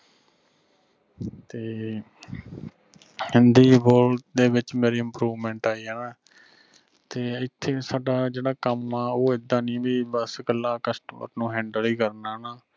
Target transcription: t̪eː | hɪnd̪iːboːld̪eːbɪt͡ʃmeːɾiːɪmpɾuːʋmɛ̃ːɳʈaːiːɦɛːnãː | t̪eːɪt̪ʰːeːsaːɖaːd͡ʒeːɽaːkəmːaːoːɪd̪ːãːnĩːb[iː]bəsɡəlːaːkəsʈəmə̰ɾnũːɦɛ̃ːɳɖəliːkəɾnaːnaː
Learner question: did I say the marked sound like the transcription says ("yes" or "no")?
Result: yes